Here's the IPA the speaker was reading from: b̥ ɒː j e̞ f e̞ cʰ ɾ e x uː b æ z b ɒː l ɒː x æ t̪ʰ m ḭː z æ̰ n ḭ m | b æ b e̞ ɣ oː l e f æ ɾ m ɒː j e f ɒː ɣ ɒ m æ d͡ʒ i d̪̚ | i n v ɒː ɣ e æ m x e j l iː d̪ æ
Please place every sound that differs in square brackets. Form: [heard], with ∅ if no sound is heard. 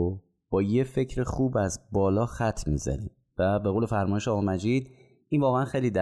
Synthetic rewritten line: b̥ ɒː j e̞ f e̞ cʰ ɾ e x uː b æ z b ɒː l ɒː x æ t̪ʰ m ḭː z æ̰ n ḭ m | [v] æ b e̞ ɣ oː l e f æ ɾ m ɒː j e [ʃ] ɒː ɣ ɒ m æ d͡ʒ i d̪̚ | i n v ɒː ɣ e æ [n] x e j l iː d̪ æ